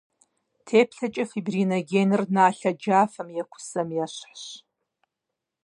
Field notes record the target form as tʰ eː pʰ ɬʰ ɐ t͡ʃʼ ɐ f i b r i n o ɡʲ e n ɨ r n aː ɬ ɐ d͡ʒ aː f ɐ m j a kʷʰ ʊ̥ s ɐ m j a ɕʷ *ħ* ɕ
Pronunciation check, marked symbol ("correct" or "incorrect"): correct